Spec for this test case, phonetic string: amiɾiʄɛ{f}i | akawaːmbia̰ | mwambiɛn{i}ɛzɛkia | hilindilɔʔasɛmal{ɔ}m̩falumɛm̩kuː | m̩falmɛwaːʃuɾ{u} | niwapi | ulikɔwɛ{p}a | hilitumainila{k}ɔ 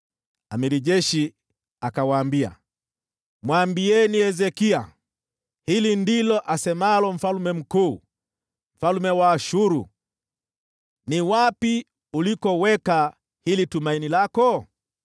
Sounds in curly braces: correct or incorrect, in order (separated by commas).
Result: incorrect, correct, correct, correct, incorrect, correct